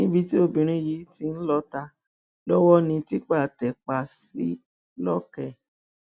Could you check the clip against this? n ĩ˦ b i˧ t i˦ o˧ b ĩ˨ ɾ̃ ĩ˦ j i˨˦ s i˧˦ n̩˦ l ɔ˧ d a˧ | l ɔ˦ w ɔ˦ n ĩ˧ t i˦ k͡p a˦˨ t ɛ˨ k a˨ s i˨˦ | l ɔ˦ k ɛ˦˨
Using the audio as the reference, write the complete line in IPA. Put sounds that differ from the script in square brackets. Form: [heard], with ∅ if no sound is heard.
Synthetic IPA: n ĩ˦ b i˧ t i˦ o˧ b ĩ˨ ɾ̃ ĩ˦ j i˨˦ [t] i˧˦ n̩˦ l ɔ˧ [t] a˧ | l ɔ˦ w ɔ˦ n ĩ˧ t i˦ k͡p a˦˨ t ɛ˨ [k͡p] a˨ s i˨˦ | l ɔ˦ k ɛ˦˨